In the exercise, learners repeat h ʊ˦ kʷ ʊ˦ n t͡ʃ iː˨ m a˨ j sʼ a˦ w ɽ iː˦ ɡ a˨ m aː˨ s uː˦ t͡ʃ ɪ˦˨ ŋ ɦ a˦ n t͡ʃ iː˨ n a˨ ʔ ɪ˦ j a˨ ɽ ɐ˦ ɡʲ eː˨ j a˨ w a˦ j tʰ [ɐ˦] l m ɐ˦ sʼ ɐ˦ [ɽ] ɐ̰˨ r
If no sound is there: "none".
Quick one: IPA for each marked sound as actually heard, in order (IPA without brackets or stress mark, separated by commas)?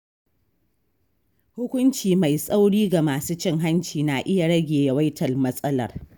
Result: ɐ˨, l